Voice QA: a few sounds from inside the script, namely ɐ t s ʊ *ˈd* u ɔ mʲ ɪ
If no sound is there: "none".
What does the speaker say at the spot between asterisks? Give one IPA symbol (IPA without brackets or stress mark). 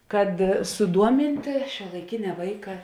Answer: d